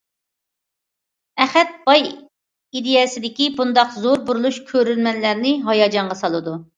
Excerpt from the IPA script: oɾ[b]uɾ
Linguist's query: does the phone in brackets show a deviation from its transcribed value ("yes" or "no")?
no